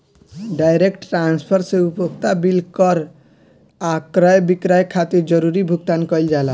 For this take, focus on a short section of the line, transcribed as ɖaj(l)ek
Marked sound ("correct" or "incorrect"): incorrect